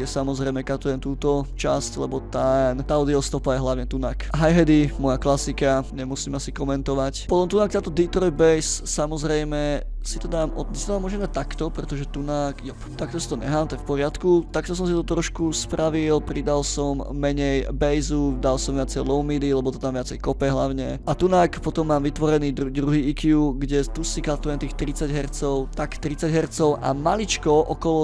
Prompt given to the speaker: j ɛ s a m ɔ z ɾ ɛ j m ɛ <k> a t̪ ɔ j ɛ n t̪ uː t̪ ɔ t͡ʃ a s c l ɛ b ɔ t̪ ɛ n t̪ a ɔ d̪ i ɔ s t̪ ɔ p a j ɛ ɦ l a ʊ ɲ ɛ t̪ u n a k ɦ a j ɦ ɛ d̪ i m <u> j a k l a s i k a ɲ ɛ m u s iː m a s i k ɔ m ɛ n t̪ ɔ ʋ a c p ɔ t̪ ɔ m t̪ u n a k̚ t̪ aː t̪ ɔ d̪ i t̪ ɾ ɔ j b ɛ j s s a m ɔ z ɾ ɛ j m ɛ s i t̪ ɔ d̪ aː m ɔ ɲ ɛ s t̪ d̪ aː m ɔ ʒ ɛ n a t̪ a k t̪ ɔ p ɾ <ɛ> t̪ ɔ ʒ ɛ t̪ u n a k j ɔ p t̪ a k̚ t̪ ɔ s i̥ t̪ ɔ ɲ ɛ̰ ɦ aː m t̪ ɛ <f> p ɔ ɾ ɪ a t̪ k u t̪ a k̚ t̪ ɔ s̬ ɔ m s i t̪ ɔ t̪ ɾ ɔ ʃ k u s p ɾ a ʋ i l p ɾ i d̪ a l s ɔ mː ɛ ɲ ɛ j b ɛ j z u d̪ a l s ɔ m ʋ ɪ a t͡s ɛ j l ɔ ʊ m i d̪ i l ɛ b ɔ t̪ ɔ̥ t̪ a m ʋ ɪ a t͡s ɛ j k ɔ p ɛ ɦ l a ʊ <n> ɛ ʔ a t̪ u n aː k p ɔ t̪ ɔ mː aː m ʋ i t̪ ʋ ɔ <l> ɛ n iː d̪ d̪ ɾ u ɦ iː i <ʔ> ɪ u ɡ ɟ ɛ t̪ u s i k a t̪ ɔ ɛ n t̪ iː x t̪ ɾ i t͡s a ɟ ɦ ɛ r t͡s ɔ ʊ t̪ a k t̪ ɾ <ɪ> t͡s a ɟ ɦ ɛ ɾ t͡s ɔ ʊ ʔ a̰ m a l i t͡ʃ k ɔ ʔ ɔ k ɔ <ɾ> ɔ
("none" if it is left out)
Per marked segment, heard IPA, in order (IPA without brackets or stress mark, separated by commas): k, ɔ, ɛ, f, ɲ, ɾ, k, i, l